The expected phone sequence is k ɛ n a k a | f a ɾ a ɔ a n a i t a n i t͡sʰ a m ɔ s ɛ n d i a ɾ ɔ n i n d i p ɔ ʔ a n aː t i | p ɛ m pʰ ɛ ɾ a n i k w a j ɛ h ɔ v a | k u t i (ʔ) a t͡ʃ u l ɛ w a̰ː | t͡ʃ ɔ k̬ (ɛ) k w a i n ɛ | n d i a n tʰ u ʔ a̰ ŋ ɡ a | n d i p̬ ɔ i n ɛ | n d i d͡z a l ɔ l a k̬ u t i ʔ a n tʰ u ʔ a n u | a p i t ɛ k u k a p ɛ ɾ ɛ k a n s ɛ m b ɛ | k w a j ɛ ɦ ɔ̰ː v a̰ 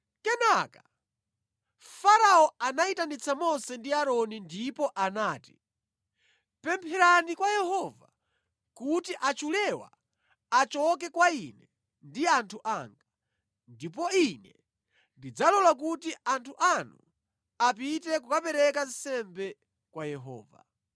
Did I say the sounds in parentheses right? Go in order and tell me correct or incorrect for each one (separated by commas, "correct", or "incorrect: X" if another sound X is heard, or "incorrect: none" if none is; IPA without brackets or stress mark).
correct, correct